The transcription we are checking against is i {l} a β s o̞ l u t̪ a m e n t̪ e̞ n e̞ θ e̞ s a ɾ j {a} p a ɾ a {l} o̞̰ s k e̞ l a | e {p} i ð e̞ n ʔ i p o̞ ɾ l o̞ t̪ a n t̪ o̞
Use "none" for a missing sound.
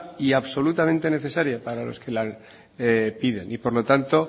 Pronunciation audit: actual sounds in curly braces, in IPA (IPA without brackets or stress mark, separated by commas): none, a, l, p